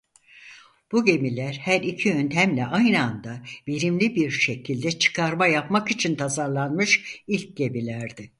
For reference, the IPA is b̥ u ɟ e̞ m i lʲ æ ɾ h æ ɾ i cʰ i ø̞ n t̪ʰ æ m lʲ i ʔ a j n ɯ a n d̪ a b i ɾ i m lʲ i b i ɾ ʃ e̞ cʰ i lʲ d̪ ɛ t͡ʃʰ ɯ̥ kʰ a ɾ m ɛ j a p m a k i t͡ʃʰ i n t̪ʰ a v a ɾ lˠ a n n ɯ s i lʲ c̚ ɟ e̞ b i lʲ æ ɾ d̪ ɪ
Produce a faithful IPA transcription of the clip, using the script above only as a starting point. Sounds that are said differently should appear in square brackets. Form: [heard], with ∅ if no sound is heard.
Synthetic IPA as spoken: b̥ u ɟ e̞ m i lʲ æ ɾ h æ ɾ i cʰ i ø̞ n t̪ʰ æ m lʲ [ɛ] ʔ a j n ɯ a n d̪ a b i ɾ i m lʲ i b i ɾ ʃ e̞ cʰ i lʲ d̪ ɛ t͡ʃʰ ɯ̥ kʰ a ɾ m [a] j a p m a k i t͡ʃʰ i n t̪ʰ a [z] a ɾ lˠ a n [m] ɯ [ʃ] i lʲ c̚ ɟ e̞ b i lʲ æ ɾ d̪ ɪ